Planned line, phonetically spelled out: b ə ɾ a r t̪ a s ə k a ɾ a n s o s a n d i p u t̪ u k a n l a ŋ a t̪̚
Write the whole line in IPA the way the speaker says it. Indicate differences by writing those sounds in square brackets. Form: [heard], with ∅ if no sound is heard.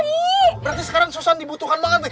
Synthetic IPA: b ə ɾ a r t̪ [i] s ə k a ɾ a [ŋ] s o s a n d i [b] u t̪ u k a n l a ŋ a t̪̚